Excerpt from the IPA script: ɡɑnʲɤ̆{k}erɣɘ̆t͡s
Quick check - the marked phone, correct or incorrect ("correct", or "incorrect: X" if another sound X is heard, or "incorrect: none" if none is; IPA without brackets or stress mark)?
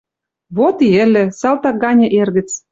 incorrect: ʔ